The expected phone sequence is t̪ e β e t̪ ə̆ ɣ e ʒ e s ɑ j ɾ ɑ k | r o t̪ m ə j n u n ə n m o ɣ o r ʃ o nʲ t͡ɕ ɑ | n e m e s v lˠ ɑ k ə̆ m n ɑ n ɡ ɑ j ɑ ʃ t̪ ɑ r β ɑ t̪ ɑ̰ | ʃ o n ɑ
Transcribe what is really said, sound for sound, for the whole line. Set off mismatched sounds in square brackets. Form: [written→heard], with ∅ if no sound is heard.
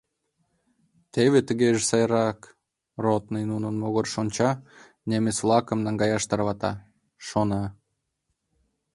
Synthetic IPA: t̪ e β e t̪ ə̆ ɣ e ʒ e s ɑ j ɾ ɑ k | r o t̪ [m→n] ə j n u n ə n m o ɣ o r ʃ o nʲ t͡ɕ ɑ | n e m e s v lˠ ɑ k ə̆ m n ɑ [n→ŋ] ɡ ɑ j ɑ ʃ t̪ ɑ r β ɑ t̪ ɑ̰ | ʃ o n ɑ